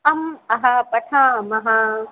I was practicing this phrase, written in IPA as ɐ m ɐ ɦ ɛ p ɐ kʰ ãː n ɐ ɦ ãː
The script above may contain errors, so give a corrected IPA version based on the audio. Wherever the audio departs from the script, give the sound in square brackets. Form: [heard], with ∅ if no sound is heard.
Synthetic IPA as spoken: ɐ m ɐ ɦ [a] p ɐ [ʈʰ] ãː [m] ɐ ɦ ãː